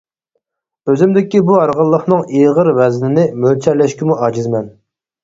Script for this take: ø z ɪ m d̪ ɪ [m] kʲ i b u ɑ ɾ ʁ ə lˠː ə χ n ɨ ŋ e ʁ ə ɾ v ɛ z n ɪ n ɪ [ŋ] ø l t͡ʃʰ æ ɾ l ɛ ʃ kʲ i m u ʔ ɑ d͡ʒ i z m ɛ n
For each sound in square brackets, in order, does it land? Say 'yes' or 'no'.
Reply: no, no

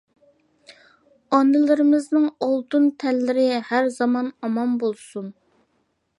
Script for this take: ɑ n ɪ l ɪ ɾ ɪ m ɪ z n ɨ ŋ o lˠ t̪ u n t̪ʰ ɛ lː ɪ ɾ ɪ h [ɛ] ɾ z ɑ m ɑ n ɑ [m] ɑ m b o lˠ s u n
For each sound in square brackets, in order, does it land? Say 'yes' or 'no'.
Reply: no, yes

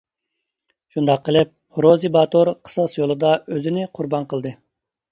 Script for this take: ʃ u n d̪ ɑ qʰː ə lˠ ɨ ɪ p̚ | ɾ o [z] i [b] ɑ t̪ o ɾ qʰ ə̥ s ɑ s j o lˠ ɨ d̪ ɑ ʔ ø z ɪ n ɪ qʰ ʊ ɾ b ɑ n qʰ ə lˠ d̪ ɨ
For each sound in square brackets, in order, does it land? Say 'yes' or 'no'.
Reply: yes, yes

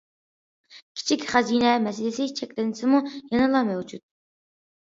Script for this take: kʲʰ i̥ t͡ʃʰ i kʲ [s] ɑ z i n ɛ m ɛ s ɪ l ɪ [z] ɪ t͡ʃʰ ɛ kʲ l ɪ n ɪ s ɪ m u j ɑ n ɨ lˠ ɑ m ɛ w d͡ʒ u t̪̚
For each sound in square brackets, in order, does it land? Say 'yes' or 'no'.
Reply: no, no

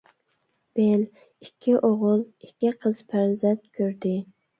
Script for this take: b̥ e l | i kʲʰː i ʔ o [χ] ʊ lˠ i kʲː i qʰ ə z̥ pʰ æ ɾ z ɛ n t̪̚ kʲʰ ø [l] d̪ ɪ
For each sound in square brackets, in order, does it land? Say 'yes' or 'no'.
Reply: no, no

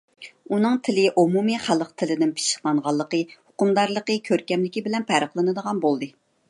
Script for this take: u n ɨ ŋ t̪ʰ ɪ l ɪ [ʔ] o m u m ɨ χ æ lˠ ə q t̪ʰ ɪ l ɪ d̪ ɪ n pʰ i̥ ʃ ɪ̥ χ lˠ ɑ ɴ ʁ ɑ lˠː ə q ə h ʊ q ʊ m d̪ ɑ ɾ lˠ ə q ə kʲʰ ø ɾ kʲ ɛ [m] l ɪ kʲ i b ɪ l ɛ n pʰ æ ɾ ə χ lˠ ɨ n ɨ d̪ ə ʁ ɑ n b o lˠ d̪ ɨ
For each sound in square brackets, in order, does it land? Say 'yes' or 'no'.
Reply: yes, yes

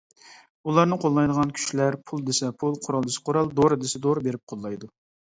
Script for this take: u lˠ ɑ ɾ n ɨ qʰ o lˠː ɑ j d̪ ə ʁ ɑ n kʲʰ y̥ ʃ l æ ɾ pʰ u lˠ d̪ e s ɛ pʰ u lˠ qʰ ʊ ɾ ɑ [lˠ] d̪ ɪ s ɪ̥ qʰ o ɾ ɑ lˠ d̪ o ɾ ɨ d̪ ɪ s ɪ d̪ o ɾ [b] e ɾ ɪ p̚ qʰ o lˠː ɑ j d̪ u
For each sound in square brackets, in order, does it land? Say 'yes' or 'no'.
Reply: yes, yes

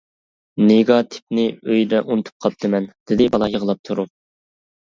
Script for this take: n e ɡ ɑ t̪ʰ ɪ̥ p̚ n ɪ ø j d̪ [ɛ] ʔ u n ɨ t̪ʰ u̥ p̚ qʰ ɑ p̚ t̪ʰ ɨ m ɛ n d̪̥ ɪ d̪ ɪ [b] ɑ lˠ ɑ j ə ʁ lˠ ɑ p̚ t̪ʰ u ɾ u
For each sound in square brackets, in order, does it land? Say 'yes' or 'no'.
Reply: yes, yes

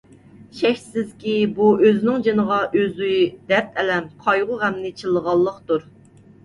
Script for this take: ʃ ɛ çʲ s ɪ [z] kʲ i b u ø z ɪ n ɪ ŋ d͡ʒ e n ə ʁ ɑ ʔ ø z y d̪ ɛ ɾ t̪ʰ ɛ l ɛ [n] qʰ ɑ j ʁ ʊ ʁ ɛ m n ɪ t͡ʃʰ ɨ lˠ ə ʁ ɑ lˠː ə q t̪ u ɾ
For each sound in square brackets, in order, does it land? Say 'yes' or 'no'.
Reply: yes, no

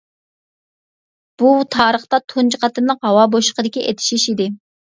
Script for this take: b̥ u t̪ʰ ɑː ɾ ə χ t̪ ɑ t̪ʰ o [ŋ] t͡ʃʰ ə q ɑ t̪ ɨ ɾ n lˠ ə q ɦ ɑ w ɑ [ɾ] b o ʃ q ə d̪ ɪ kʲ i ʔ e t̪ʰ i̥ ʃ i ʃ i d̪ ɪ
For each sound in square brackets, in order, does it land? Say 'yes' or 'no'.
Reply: no, no

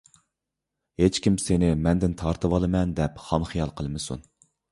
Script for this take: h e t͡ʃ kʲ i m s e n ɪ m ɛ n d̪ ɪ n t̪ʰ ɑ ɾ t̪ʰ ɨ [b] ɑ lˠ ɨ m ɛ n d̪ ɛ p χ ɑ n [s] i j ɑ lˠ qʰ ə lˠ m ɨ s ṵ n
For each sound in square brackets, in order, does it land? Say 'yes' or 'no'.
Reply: no, no

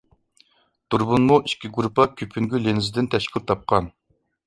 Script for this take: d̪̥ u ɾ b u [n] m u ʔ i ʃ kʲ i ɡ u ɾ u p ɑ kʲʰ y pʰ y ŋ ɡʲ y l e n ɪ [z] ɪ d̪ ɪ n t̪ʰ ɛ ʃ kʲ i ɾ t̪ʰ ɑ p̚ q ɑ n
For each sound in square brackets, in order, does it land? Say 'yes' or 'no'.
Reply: yes, yes

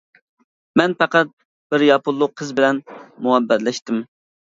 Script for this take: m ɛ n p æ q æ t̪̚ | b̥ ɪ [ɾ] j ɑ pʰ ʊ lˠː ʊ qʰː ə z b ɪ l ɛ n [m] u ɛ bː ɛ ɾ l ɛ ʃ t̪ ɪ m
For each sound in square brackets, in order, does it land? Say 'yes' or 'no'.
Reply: yes, yes

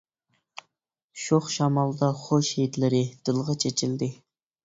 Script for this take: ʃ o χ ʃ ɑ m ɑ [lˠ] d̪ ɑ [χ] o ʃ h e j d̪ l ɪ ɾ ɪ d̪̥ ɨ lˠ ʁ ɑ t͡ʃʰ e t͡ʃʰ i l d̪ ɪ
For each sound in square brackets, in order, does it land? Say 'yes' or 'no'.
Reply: yes, yes

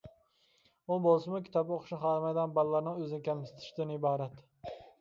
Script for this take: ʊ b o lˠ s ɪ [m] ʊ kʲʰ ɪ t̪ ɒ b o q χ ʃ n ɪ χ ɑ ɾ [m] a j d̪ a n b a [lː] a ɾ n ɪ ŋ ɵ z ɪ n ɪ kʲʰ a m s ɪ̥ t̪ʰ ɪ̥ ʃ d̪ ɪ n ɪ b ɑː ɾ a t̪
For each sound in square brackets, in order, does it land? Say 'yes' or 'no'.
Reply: yes, yes, yes

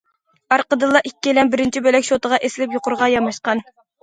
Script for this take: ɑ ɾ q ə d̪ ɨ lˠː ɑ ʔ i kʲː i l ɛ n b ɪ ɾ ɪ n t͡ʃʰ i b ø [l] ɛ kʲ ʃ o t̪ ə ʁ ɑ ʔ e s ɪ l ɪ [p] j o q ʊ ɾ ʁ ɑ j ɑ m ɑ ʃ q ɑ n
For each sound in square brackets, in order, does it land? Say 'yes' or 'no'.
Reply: yes, yes

